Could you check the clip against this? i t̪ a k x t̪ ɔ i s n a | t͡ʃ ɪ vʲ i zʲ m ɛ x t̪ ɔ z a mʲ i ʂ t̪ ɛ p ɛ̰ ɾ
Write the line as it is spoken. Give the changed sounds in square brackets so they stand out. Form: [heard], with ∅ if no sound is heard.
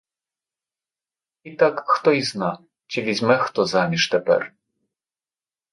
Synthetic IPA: i t̪ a k x t̪ ɔ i [z] n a | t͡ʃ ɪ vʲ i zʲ m ɛ x t̪ ɔ z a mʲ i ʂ t̪ ɛ p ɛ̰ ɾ